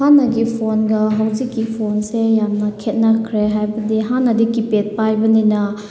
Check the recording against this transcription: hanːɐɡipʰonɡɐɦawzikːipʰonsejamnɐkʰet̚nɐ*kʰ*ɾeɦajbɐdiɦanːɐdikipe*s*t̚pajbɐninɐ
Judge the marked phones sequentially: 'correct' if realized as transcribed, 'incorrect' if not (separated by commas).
correct, incorrect